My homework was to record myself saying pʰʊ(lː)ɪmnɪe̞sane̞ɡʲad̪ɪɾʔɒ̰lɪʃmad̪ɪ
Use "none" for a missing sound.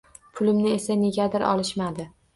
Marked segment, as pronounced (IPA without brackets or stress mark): l